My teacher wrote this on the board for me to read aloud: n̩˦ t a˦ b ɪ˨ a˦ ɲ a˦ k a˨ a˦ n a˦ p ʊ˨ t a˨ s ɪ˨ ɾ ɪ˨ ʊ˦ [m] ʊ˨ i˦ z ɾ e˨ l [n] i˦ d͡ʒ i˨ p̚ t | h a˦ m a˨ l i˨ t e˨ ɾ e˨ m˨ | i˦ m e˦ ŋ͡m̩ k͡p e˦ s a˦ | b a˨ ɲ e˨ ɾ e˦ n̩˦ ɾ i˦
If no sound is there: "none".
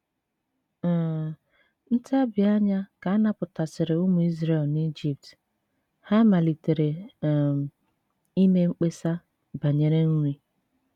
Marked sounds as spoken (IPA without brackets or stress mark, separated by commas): m, n